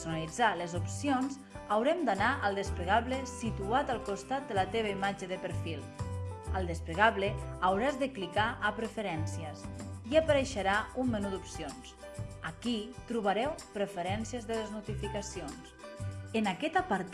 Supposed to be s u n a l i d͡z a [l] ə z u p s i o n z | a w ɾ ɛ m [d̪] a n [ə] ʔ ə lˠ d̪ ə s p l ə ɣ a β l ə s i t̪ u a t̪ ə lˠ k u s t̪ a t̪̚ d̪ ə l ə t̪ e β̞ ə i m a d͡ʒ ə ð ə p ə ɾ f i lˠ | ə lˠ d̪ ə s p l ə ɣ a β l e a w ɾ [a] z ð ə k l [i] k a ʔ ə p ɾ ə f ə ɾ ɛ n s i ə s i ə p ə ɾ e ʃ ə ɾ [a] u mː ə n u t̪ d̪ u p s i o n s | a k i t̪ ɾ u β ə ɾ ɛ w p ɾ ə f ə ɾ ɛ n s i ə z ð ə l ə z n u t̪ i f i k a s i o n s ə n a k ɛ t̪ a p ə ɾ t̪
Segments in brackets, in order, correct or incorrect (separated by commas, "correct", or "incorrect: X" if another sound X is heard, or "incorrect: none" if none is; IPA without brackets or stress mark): correct, correct, incorrect: a, correct, correct, correct